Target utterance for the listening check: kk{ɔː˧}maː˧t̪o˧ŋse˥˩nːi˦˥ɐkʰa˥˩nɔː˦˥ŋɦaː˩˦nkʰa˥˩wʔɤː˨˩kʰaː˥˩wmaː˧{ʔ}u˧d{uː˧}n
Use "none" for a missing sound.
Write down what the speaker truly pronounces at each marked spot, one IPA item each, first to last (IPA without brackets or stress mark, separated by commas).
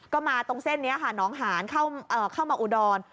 ɔː˥˩, ʔ, ɔː˧